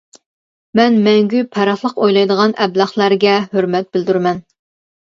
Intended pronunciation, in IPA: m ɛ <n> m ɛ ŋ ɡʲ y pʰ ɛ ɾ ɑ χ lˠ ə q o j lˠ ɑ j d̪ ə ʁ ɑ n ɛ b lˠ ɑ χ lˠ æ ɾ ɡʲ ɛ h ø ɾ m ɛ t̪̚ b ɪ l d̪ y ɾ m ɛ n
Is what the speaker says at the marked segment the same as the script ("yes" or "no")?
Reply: yes